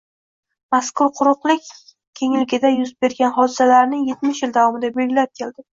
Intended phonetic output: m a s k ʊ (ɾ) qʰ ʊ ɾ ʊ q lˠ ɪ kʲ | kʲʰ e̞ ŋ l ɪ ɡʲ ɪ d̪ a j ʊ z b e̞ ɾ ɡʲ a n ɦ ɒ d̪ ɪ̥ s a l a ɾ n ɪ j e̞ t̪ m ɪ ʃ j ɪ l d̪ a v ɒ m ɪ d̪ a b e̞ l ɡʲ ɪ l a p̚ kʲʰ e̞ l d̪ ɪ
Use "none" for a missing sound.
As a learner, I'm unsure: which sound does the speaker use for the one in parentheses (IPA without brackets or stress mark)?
ɾ